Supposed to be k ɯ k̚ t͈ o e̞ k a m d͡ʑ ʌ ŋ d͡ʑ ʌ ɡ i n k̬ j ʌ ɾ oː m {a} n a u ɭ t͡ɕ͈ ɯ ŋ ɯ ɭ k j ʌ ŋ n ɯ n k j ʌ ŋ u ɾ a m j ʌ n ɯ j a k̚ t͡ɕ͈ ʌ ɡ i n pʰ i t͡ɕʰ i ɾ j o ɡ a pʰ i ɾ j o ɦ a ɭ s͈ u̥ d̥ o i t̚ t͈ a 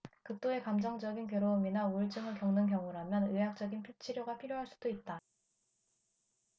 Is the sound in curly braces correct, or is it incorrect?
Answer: incorrect